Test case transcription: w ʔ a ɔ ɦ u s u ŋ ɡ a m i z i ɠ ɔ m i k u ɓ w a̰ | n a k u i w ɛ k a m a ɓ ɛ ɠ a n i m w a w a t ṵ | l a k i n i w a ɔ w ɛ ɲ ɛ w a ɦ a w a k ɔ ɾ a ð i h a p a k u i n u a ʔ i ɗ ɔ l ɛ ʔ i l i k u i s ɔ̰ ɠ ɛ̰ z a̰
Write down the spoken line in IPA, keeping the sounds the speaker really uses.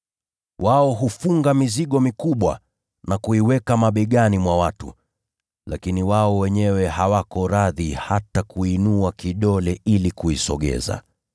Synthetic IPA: w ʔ a ɔ ɦ u f u ŋ ɡ a m i z i ɠ ɔ m i k u ɓ w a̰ | n a k u i w ɛ k a m a ɓ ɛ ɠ a n i m w a w a t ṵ | l a k i n i w a ɔ w ɛ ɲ ɛ w ɛ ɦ a w a k ɔ ɾ a ð i h a t a k u i n u a k i ɗ ɔ l ɛ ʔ i l i k u i s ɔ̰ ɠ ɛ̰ z a̰